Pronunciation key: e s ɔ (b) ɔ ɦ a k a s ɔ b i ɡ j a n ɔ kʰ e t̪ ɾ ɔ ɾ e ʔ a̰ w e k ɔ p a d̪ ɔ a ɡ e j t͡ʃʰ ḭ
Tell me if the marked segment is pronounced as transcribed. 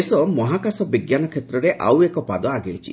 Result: no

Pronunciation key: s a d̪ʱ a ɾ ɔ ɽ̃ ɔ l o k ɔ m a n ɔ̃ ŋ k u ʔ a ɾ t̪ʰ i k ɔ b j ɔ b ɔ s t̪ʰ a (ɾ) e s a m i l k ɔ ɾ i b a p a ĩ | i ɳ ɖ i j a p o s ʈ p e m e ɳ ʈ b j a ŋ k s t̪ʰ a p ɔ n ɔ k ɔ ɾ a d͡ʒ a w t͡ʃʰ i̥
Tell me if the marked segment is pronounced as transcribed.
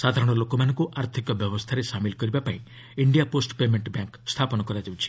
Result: yes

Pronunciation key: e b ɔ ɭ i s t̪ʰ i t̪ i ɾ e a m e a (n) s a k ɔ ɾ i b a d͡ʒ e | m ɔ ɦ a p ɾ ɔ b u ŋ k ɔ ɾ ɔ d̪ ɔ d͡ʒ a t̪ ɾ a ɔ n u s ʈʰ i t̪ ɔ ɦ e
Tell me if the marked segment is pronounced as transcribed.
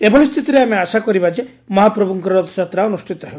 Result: no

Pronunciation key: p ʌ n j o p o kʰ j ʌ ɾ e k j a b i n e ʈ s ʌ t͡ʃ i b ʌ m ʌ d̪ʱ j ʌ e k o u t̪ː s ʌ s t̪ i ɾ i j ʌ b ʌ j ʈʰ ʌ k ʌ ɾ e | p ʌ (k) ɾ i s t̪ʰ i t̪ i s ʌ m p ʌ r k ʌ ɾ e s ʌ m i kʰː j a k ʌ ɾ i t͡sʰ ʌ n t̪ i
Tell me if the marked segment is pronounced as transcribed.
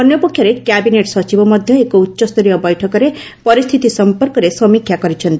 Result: no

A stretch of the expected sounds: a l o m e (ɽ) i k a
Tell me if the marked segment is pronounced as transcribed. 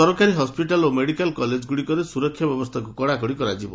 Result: yes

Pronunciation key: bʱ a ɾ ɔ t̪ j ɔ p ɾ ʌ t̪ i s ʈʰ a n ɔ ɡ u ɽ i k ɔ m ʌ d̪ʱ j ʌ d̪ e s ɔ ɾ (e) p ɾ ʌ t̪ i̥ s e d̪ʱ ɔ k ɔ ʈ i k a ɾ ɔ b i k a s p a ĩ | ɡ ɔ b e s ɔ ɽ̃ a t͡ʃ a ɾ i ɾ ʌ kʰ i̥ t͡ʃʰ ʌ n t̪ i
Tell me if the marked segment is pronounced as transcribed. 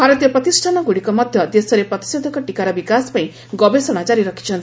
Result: yes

